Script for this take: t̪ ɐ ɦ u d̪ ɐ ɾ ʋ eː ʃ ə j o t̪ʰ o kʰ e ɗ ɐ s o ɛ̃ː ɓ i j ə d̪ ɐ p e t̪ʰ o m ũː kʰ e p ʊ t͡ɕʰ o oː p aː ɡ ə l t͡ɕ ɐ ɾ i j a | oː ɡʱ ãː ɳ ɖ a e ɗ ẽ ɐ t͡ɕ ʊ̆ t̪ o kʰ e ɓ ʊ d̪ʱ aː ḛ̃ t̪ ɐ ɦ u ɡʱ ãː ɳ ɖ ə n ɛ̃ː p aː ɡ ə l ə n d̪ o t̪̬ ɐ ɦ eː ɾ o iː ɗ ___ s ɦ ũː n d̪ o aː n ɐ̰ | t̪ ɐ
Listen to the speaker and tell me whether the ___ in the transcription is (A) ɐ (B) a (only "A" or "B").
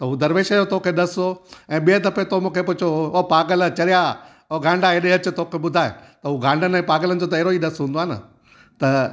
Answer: A